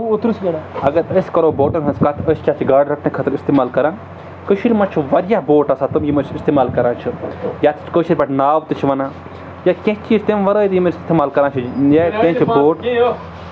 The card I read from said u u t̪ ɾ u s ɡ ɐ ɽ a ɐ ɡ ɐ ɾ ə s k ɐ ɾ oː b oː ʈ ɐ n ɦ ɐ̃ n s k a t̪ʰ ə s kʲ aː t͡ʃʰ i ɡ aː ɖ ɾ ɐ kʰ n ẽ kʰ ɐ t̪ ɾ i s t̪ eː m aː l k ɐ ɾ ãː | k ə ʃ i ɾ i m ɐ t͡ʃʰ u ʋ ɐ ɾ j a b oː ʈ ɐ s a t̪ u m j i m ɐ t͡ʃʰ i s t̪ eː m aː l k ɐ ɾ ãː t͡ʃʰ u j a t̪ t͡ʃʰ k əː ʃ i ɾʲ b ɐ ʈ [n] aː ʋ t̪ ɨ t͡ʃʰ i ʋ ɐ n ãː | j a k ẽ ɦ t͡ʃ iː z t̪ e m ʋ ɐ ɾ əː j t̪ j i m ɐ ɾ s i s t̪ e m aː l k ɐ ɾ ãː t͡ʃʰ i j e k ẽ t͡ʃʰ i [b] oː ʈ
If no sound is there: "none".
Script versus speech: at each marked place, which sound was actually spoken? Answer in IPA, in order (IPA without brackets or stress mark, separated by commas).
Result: n, b